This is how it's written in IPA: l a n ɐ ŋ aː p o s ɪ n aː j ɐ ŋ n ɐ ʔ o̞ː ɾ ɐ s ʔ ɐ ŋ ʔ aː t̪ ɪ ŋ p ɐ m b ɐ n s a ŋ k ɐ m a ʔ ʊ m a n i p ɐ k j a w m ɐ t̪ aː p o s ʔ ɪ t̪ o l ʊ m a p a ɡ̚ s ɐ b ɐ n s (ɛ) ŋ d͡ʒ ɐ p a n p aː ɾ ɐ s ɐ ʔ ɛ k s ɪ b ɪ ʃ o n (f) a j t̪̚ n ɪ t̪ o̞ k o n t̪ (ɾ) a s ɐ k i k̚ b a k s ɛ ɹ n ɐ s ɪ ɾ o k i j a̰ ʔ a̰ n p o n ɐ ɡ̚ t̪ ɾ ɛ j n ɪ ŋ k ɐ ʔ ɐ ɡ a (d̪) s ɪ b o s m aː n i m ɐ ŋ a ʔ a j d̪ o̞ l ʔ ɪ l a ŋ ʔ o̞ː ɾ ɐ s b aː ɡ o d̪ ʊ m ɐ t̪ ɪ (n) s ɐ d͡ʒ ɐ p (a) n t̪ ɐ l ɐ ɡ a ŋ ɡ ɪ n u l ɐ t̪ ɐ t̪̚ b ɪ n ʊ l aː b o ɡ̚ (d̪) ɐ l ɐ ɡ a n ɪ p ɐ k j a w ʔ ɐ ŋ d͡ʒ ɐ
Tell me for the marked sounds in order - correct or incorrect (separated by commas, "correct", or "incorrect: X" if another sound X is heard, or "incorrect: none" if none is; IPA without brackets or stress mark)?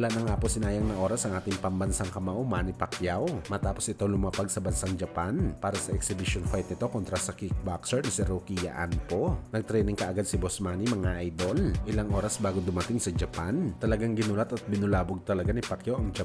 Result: incorrect: a, correct, correct, correct, incorrect: ŋ, correct, incorrect: t̪